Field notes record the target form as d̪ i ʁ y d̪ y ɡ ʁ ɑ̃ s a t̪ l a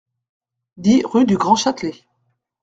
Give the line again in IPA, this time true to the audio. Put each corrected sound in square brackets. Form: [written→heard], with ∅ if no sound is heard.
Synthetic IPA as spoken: d̪ i ʁ y d̪ y ɡ ʁ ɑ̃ [s→ʃ] a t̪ l [a→e]